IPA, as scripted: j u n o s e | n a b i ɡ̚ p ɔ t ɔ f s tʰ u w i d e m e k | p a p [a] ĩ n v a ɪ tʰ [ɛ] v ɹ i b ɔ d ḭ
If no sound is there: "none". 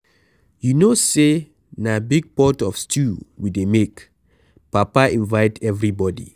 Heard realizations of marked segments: a, ɛ

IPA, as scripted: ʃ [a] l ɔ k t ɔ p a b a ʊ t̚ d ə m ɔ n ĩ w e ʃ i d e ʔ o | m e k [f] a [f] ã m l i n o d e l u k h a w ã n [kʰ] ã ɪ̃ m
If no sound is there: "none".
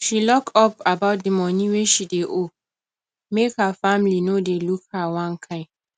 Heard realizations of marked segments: i, h, f, kʰ

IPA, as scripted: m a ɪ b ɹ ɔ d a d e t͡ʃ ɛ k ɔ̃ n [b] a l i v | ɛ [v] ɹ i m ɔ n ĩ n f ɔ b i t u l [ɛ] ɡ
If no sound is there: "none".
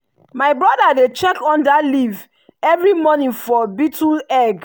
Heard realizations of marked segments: d, v, ɛ

